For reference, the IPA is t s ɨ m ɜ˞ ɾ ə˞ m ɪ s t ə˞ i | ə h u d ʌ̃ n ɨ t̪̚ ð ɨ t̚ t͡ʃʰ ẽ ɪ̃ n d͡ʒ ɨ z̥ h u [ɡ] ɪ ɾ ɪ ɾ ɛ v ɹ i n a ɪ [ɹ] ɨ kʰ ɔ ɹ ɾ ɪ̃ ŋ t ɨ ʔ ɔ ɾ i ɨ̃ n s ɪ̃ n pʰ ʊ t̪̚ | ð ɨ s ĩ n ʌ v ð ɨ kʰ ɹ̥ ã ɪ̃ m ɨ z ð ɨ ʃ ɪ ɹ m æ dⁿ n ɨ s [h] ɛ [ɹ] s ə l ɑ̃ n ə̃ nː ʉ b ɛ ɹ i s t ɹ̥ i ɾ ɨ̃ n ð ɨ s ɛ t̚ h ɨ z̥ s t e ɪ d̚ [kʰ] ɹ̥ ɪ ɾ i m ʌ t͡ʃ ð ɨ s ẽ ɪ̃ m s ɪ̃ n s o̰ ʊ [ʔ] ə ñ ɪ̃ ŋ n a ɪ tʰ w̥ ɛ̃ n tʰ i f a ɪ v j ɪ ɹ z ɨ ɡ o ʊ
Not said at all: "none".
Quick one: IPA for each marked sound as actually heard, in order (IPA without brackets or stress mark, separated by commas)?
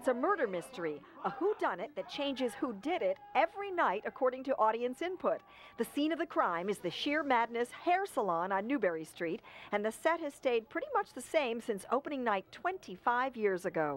d, ɾ, h, ɹ, pʰ, p